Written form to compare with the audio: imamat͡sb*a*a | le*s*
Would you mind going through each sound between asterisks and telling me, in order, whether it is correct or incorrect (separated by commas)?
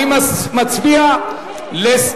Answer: incorrect, correct